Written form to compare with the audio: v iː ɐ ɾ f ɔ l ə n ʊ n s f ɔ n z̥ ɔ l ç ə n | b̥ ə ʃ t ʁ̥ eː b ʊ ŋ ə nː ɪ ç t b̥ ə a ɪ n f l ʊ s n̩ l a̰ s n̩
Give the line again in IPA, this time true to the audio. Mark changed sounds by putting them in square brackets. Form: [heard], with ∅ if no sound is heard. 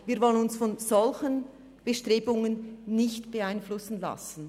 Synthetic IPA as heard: v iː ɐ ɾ [v] ɔ l ə n ʊ n s f ɔ n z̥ ɔ l ç ə n | b̥ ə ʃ t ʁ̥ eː b ʊ ŋ ə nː ɪ ç t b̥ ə a ɪ n f l ʊ s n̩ l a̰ s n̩